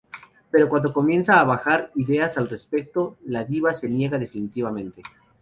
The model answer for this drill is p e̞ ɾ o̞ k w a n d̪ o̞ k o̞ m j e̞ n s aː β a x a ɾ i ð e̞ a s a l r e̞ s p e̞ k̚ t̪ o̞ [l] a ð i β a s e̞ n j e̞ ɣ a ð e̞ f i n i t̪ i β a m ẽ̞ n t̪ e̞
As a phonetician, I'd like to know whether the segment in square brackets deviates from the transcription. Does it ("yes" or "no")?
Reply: no